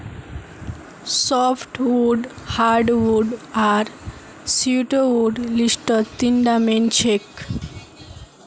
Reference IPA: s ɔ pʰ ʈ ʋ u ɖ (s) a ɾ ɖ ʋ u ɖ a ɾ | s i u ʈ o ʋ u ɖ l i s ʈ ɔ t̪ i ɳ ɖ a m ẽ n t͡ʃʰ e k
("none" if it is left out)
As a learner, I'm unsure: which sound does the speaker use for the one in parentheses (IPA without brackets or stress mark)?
h